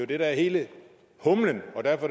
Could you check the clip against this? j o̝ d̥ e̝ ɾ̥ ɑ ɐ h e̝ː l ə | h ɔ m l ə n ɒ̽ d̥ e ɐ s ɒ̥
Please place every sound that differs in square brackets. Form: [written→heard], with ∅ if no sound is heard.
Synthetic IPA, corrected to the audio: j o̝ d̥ e̝ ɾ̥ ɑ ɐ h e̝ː l ə | h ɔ m l ə n ɒ̽ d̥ [e→æ] ɐ [s→f] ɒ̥